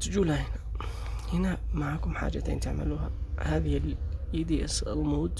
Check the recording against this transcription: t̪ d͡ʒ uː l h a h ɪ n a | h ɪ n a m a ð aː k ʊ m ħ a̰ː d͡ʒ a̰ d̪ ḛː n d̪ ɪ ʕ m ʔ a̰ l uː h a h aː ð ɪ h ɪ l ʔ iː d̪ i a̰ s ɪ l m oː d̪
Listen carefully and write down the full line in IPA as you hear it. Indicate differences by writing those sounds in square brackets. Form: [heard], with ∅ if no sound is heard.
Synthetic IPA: t̪ d͡ʒ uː l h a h ɪ n a | h ɪ n a m a [ʕ] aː k ʊ m ħ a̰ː d͡ʒ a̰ [t̪] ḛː n [t̪] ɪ ʕ m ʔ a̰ l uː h a h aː ð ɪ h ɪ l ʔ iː d̪ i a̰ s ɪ l m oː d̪